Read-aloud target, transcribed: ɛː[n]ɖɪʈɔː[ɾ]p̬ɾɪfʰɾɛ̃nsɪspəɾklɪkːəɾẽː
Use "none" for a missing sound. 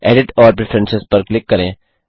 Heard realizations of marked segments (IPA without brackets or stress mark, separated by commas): none, ɾ